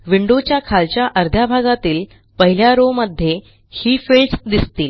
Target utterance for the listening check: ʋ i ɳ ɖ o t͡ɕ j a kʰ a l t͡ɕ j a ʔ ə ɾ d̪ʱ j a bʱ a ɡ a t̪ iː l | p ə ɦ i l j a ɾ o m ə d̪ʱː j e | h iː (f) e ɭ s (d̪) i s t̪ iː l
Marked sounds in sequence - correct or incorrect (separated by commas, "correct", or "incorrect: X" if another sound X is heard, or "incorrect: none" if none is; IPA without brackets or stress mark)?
correct, correct